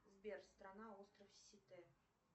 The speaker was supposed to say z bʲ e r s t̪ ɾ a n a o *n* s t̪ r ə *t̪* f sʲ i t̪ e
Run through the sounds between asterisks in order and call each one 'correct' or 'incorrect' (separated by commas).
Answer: incorrect, incorrect